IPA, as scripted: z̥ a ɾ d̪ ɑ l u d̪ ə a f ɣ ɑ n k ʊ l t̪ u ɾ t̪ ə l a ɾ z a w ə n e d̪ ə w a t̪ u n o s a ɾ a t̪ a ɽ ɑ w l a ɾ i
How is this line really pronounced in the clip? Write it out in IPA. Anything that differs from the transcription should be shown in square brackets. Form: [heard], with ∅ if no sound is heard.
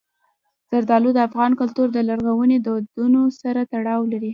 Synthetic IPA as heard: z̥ a ɾ d̪ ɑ l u d̪ ə a f ɣ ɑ n k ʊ l t̪ u ɾ [d̪] ə l a ɾ [ɣ] a w ə n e d̪ ə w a [d̪] u n o s a ɾ a t̪ a ɽ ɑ w l a ɾ i